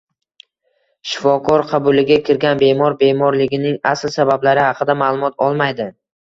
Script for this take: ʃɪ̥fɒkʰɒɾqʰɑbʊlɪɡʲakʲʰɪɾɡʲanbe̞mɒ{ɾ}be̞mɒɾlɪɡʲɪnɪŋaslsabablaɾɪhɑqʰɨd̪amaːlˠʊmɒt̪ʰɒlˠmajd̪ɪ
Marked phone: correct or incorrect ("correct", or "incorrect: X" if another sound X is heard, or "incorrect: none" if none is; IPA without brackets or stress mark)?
correct